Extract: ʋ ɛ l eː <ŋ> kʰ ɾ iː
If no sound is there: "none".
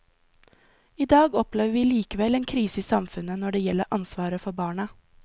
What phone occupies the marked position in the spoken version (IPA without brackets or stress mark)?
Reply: n